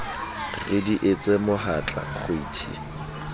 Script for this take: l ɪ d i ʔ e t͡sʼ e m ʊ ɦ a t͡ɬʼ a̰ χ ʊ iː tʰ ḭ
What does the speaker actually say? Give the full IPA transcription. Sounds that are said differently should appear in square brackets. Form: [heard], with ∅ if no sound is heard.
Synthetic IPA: [r] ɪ d i ʔ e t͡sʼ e m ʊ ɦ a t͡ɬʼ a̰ χ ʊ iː tʰ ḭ